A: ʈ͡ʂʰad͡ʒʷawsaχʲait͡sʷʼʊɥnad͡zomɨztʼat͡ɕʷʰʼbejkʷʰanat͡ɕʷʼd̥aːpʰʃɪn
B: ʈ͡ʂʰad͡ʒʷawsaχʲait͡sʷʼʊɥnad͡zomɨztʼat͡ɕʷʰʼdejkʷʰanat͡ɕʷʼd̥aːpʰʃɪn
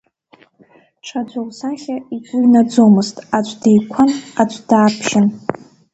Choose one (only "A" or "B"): B